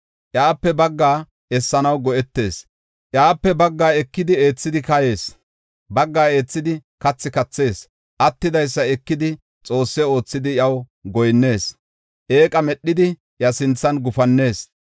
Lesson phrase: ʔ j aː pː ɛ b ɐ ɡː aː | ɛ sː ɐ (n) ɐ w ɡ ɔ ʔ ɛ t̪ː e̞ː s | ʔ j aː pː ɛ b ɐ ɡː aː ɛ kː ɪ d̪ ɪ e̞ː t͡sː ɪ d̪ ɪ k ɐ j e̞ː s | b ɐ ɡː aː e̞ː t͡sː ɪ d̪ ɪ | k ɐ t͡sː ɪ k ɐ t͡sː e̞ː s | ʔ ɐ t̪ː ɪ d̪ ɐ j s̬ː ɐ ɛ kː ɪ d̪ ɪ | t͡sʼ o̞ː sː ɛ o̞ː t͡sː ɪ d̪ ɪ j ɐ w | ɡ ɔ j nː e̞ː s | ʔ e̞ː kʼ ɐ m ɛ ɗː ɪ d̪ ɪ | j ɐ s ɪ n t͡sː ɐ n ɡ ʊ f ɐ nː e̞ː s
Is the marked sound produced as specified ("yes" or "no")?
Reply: yes